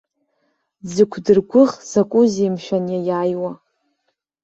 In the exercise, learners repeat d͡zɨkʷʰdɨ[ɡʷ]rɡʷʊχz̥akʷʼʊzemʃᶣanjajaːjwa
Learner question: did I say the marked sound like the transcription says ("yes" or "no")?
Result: no